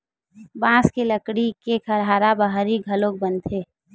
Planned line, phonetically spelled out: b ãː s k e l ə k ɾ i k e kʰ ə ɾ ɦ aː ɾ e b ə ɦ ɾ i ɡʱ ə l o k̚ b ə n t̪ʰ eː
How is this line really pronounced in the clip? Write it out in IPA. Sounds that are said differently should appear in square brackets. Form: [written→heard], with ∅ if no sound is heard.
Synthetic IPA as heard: b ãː s k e l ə k [ɾ→ɽ] i k e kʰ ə ɾ ɦ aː ɾ [e→a] b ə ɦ ɾ i ɡʱ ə l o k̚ b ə n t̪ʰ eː